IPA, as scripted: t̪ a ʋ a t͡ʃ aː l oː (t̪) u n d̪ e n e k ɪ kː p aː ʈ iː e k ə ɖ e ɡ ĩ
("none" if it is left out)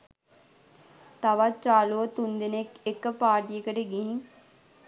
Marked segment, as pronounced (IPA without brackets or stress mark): t̪